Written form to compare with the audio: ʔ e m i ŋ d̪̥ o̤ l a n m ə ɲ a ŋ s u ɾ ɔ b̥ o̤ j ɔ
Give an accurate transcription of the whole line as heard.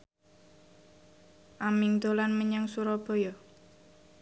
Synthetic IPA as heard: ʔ a m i ŋ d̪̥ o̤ l a n m ə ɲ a ŋ s u ɾ ɔ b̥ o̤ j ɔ